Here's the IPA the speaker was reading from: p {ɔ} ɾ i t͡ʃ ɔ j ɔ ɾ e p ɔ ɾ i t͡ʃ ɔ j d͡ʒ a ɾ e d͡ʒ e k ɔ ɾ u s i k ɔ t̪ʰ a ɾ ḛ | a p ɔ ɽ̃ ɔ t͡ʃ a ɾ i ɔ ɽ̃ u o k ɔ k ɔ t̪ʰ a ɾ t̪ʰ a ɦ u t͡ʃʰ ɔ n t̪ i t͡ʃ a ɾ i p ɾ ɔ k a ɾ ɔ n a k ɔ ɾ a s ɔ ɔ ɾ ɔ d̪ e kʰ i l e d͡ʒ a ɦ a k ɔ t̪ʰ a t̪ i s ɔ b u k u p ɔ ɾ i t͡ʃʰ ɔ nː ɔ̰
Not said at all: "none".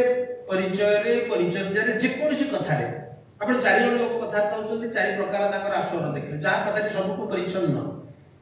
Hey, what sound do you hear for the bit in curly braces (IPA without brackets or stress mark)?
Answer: ɔ